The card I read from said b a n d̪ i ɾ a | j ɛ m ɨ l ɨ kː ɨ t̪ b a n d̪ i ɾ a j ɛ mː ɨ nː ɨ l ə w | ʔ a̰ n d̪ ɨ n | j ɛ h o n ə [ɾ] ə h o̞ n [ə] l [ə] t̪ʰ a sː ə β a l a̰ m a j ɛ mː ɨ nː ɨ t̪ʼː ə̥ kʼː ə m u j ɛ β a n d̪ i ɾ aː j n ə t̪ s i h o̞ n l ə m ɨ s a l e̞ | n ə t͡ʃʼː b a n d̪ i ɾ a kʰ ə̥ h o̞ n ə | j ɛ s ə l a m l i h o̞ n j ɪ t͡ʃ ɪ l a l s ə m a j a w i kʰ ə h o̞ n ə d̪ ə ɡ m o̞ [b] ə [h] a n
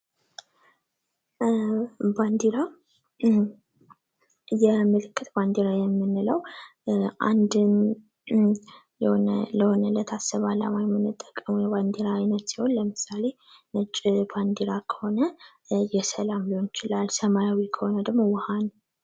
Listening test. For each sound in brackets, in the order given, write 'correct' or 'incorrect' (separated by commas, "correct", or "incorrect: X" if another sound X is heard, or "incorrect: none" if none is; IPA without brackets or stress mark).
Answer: incorrect: l, correct, correct, incorrect: w, correct